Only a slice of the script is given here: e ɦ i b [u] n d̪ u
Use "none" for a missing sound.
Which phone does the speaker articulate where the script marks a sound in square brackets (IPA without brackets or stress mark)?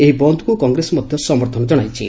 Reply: ɔ